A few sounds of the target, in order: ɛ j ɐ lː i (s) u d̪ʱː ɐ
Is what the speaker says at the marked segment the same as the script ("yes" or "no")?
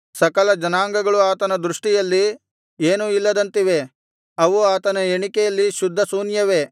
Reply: no